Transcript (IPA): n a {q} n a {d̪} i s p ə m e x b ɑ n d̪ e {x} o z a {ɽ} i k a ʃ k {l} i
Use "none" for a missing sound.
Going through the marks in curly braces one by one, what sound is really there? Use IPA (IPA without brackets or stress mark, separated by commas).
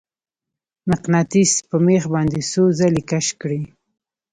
q, t̪, s, l, ɽ